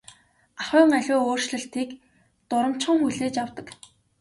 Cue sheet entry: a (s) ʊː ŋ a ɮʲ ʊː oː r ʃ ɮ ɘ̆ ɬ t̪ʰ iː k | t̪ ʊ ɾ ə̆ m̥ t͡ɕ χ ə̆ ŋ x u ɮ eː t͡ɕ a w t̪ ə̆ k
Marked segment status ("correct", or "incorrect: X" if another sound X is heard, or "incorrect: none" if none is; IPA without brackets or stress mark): incorrect: χ